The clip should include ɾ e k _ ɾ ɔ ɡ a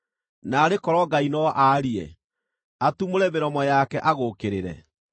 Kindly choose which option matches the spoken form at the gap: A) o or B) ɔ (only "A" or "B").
B